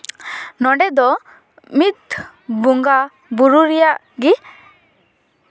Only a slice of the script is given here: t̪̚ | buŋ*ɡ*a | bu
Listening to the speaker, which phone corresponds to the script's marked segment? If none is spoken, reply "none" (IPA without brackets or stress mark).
ɡ